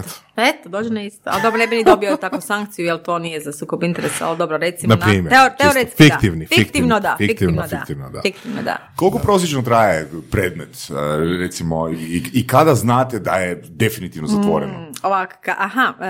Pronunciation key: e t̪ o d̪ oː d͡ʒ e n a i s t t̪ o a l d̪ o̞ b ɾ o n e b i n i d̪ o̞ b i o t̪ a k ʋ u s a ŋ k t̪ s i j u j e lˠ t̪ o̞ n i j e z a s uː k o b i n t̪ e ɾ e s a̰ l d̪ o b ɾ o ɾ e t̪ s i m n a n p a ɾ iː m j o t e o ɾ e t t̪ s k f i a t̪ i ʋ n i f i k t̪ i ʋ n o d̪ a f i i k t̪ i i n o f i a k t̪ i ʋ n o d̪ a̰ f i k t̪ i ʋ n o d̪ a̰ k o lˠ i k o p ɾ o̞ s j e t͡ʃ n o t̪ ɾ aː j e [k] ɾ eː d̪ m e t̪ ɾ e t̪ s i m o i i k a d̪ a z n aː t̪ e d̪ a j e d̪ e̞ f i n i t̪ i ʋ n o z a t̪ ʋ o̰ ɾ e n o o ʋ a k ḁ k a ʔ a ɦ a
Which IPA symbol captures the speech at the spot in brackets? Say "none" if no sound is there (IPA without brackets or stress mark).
p